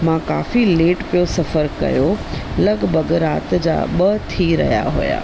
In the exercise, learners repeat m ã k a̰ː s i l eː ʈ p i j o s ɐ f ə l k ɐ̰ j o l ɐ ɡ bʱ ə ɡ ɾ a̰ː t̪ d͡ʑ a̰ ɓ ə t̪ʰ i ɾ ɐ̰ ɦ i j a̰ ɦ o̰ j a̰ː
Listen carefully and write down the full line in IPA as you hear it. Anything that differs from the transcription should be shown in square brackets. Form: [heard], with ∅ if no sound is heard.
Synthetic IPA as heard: m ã k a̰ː [f] i l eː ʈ p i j o s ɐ f ə [ɾ] k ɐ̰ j o l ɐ ɡ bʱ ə ɡ ɾ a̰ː t̪ d͡ʑ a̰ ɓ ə t̪ʰ i ɾ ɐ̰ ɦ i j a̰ ɦ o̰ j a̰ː